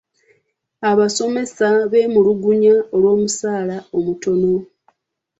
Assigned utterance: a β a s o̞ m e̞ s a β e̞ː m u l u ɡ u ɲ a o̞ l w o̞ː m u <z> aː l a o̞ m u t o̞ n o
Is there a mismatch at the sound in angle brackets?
yes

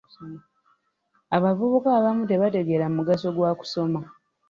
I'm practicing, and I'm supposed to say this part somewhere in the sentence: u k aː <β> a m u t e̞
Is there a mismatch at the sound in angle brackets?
no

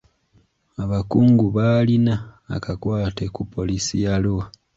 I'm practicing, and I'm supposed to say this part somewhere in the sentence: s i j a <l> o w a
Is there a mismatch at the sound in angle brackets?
no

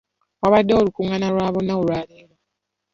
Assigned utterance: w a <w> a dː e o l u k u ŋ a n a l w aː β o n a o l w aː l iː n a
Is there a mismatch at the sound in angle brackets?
yes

